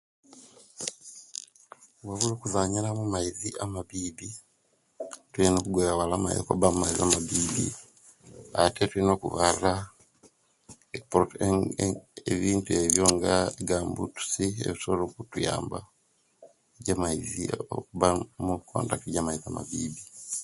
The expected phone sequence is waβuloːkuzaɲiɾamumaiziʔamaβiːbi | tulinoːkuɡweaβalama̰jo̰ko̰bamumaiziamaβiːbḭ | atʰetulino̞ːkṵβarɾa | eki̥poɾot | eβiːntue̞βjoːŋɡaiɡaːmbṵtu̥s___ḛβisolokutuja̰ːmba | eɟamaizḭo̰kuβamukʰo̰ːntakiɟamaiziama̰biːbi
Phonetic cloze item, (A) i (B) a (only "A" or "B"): A